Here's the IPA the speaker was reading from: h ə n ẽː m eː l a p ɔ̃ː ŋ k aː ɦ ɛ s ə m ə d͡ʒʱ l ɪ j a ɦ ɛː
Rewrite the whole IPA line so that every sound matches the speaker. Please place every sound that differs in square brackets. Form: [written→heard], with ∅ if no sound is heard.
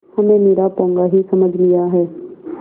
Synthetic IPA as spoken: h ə [n→m] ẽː m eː [l→ɾ] a p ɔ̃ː ŋ [k→ɡ] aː ɦ [ɛ→i] s ə m ə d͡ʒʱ l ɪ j a ɦ ɛː